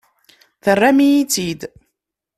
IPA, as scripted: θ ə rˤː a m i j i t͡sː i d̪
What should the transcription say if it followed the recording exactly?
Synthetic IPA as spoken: θ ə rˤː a m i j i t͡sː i d̪